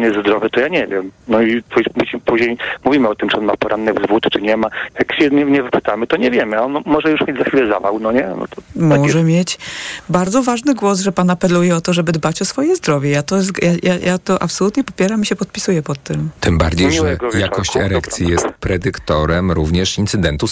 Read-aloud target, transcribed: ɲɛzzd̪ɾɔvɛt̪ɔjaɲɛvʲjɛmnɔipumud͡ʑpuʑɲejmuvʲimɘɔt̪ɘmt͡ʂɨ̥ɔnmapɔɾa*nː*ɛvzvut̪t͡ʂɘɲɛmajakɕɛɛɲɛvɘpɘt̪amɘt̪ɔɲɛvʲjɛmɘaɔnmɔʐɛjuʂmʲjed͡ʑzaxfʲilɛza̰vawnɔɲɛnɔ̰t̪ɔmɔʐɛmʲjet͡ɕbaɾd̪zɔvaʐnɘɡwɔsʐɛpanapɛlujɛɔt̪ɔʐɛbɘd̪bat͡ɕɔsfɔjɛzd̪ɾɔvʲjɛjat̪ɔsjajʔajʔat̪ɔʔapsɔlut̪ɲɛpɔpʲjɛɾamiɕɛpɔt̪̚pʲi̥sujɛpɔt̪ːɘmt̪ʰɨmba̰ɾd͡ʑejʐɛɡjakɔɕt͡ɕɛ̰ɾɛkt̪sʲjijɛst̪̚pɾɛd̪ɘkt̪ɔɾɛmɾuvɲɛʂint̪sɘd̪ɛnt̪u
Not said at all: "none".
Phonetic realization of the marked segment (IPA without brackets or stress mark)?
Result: nː